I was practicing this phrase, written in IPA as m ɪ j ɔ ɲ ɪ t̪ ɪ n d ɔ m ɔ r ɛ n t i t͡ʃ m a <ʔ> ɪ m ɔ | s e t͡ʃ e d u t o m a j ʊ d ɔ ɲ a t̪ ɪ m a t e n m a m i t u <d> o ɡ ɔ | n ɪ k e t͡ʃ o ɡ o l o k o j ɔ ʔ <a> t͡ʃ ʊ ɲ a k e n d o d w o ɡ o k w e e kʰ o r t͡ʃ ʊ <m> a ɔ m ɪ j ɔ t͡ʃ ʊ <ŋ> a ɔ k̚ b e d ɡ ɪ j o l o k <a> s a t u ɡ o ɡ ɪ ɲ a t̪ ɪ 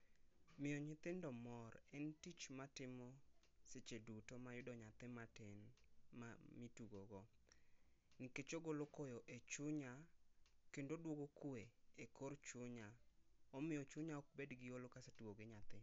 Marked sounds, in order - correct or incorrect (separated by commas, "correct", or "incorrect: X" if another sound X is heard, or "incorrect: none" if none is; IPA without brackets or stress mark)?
incorrect: t, incorrect: ɡ, incorrect: e, incorrect: ɲ, incorrect: ɲ, correct